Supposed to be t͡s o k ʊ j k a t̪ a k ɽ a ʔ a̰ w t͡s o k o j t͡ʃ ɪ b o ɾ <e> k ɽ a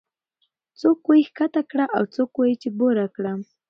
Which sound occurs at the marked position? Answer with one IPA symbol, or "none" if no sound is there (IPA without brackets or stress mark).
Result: a